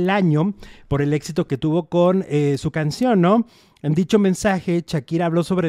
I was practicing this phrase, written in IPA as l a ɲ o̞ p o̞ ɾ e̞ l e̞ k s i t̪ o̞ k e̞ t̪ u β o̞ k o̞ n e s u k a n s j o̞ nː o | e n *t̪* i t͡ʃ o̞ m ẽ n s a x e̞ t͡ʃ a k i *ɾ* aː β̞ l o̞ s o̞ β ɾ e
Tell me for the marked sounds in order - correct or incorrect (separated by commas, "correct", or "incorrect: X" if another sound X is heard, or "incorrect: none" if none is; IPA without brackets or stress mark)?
incorrect: d̪, correct